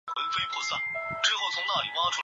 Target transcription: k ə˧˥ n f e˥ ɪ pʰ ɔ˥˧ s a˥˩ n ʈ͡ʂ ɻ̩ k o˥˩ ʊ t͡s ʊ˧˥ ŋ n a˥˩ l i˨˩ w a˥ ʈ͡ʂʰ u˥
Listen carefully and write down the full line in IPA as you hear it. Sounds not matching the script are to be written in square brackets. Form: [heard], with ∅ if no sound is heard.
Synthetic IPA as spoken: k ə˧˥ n f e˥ ɪ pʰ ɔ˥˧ s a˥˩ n ʈ͡ʂ ɻ̩ [x] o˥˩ ʊ [t͡sʰ] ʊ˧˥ ŋ n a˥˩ l i˨˩ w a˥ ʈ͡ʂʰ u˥